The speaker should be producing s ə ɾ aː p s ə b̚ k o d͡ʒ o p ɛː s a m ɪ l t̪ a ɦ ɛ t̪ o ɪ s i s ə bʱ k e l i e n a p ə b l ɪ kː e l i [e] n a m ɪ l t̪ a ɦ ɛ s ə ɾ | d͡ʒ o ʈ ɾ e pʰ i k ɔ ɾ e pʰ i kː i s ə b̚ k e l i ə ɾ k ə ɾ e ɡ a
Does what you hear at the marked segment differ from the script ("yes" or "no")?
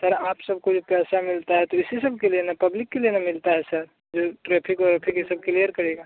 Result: no